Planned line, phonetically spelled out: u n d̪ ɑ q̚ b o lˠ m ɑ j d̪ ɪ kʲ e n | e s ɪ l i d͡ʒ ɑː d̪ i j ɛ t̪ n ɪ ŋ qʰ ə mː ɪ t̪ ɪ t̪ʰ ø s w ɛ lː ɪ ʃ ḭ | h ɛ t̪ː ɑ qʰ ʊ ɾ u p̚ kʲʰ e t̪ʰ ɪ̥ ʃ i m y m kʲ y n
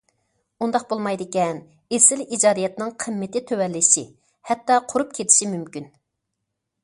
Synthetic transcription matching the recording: u n d̪ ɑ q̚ b o lˠ m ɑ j d̪ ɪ kʲ ɛ n | e s ɪ l i d͡ʒ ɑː d̪ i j ɛ t̪ n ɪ ŋ qʰ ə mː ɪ t̪ ɪ t̪ʰ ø w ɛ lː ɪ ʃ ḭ | h ɛ t̪ː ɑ qʰ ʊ ɾ u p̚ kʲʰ e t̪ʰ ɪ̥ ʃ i m y m kʲ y n